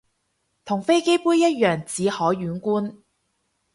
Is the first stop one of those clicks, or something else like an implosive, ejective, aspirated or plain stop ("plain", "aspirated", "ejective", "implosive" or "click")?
aspirated